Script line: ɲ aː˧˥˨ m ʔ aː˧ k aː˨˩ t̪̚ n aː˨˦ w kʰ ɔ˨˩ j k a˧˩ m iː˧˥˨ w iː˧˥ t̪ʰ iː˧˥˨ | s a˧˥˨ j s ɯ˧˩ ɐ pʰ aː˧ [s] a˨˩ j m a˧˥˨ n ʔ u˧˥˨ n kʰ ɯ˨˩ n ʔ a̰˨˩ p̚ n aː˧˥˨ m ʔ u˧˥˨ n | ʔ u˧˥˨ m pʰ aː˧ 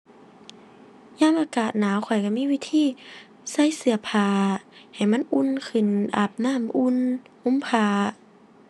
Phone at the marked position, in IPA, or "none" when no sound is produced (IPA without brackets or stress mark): h